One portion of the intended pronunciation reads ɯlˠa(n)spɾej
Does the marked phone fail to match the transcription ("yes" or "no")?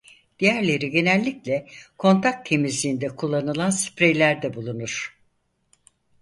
no